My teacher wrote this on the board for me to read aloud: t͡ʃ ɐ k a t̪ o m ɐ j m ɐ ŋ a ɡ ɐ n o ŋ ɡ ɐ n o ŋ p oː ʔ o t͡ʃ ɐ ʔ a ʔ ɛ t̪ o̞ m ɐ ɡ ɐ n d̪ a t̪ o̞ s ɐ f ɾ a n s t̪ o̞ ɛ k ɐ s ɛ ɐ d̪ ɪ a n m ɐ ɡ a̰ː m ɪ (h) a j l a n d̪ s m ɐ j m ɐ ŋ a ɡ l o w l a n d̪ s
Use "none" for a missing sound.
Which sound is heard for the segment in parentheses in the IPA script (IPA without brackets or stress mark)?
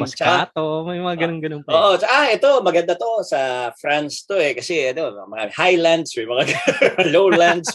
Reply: h